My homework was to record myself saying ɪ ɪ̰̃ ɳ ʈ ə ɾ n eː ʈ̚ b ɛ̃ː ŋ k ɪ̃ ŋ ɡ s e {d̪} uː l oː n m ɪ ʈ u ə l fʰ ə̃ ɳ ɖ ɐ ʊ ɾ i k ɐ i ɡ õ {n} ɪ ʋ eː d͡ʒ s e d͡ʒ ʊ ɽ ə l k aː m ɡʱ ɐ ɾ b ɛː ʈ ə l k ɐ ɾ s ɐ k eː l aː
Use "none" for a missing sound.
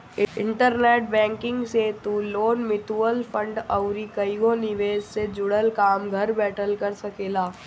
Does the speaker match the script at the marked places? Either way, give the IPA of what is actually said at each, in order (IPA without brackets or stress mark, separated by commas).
t̪, n